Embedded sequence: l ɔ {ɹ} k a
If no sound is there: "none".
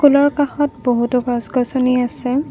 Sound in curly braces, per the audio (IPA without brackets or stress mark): ɹ